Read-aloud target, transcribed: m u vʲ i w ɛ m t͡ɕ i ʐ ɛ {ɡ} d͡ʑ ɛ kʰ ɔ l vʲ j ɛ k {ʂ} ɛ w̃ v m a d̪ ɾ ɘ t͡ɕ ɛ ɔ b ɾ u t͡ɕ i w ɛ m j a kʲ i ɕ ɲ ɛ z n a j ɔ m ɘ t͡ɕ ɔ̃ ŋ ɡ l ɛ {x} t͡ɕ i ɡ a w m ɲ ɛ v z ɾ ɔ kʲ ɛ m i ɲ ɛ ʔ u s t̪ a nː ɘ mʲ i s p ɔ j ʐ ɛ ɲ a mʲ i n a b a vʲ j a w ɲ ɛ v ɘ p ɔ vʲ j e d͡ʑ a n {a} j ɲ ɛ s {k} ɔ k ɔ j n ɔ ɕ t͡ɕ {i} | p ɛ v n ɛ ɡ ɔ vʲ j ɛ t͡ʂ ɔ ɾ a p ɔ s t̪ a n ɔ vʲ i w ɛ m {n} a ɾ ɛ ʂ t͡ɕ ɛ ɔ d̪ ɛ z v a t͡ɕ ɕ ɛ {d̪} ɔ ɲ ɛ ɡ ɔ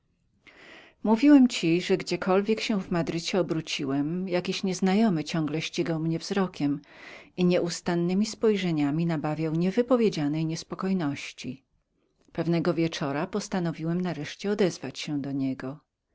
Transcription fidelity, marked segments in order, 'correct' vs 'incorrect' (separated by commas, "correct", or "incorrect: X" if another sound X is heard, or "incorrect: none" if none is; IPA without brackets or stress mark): correct, incorrect: ɕ, incorrect: ɕ, incorrect: ɛ, incorrect: p, correct, correct, correct